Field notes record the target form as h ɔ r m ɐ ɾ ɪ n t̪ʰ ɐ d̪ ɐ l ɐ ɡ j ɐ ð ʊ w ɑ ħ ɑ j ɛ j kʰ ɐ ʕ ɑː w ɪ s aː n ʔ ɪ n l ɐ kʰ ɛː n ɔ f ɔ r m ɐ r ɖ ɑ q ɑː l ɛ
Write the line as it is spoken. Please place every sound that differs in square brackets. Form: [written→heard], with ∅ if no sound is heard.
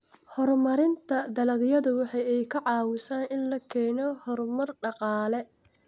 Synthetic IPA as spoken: h ɔ r m ɐ ɾ ɪ n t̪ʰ ɐ d̪ ɐ l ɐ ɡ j ɐ ð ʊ w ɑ ħ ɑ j ɛ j kʰ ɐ ʕ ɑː w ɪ s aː n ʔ ɪ n l ɐ kʰ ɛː n ɔ [f→h] ɔ r m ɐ r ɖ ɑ q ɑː l ɛ